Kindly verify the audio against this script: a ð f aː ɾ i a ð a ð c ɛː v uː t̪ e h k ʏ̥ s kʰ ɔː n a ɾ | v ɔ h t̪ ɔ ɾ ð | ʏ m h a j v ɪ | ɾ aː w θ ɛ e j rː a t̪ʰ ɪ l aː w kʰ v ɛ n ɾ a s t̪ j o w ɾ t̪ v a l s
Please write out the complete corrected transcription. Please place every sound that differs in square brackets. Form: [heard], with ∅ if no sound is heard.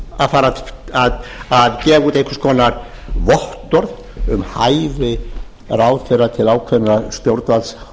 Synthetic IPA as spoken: a ð f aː ɾ [a] a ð a ð c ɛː v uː t̪ e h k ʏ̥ s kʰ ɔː n a ɾ | v ɔ h t̪ ɔ ɾ ð | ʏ m h a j v ɪ | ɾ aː w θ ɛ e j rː a t̪ʰ ɪ l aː w kʰ v ɛ n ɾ a s t̪ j o w ɾ t̪ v a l s

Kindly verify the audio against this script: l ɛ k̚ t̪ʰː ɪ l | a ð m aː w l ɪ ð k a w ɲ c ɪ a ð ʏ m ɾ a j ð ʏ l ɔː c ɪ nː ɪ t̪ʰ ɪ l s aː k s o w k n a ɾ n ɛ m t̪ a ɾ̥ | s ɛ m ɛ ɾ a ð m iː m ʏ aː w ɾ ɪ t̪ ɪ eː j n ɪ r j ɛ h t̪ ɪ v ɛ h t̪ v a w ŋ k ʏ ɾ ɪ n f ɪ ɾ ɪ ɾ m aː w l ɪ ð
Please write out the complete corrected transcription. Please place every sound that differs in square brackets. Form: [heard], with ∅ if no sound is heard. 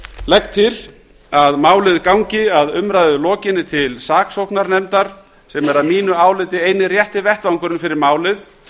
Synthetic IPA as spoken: l ɛ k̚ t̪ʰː ɪ l | a ð m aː w l ɪ ð k a w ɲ c ɪ a ð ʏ m ɾ a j ð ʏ l ɔː c ɪ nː ɪ t̪ʰ ɪ l s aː k s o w k n a ɾ n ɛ m t̪ a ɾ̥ | s ɛ m ɛ ɾ a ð m iː [n] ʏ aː w [l] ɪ t̪ ɪ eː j n ɪ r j ɛ h t̪ ɪ v ɛ h t̪ v a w ŋ k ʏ ɾ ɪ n f ɪ ɾ ɪ ɾ m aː w l ɪ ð

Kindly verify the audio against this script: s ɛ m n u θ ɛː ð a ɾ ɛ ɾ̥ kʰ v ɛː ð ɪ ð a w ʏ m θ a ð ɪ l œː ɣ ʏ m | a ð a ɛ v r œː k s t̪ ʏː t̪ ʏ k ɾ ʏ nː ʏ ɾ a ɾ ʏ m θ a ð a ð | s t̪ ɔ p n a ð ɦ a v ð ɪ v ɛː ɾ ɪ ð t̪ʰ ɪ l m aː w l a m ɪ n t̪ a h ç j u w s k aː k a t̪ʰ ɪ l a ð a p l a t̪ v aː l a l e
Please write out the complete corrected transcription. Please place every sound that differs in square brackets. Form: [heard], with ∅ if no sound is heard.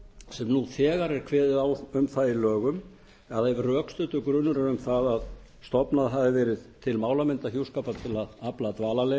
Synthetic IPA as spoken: s ɛ m n u θ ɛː [ɣ] a ɾ ɛ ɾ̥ kʰ v ɛː ð ɪ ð a w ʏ m θ a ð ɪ l œː ɣ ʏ m | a ð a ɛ v r œː k s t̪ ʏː t̪ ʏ k ɾ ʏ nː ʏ ɾ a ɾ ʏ m θ a ð a ð | s t̪ ɔ p n a ð ɦ a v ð ɪ v ɛː ɾ ɪ ð t̪ʰ ɪ l m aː w l a m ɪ n t̪ a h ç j u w s k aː [p] a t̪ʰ ɪ l a ð a p l a t̪ v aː l a l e

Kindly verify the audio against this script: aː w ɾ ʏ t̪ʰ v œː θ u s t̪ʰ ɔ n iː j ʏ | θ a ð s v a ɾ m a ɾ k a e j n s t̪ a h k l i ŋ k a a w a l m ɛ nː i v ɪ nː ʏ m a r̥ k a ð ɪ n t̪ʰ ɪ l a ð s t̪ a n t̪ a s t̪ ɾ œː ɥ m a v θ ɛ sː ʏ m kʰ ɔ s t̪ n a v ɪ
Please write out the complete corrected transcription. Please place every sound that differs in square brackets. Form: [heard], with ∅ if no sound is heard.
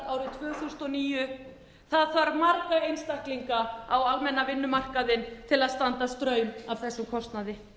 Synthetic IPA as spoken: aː w ɾ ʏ t̪ʰ v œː θ u s [t̪] ɔ n iː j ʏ | θ a ð [θ] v a ɾ m a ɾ k a e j n s t̪ a h k l i ŋ k a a w a l m ɛ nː [a] v ɪ nː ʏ m a r̥ k a ð ɪ n t̪ʰ ɪ l a ð s t̪ a n t̪ a s t̪ ɾ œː ɥ m a v θ ɛ sː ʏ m kʰ ɔ s t̪ n a [ð] ɪ

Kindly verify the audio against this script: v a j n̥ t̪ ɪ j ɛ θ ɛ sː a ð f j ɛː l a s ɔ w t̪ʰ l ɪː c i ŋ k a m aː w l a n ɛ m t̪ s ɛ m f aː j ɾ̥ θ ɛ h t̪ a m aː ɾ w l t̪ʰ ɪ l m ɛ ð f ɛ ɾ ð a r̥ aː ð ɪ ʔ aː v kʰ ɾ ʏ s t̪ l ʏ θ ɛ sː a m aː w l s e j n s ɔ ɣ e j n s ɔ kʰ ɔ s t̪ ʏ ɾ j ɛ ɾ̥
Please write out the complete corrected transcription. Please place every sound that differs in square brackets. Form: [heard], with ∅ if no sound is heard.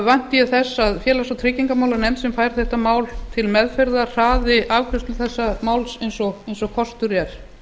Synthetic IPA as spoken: v a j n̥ t̪ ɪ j ɛ θ ɛ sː a ð f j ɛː l a s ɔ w t̪ʰ [ɾ] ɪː c i ŋ k a m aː w l a n ɛ m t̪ s ɛ m f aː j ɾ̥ θ ɛ h t̪ a m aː [∅] w l t̪ʰ ɪ l m ɛ ð f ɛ ɾ ð a r̥ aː ð ɪ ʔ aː v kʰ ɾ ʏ s t̪ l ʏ θ ɛ sː a m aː w l s e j n s ɔ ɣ e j n s ɔ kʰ ɔ s t̪ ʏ ɾ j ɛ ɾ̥

